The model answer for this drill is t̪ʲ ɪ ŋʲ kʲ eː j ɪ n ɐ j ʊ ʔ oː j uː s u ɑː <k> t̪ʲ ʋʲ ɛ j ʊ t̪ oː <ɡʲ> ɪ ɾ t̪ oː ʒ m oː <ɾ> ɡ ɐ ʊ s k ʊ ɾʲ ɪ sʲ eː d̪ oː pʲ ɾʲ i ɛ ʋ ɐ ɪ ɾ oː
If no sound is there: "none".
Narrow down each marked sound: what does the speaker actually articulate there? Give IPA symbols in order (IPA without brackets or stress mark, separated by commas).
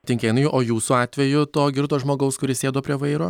none, ɡʲ, none